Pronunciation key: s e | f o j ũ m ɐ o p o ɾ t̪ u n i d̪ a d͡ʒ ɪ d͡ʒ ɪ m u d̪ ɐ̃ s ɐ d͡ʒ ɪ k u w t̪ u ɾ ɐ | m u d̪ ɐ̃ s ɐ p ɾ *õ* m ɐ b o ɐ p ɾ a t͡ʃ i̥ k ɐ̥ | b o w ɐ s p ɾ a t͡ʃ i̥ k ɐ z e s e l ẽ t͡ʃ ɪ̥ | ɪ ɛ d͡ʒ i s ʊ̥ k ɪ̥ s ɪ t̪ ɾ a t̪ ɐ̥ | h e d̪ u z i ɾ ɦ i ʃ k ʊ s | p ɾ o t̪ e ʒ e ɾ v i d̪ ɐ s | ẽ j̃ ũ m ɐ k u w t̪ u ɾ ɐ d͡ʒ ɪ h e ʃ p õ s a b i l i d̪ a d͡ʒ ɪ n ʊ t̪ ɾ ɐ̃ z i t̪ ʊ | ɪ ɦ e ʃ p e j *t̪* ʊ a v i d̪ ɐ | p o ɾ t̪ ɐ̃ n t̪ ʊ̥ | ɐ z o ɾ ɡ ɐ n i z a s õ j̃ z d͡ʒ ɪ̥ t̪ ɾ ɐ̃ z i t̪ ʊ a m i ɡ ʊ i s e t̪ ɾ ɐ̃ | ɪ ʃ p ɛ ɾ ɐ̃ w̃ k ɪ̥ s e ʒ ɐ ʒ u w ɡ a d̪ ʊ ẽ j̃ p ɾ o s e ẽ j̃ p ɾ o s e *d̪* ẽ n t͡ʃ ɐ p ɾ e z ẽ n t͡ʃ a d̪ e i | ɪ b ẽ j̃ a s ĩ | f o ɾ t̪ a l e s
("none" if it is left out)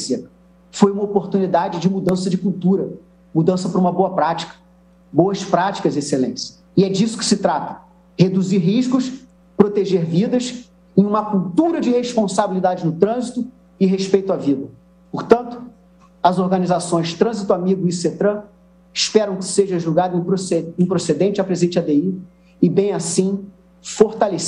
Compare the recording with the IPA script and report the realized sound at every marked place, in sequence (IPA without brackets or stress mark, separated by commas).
ũ, t̪, d̪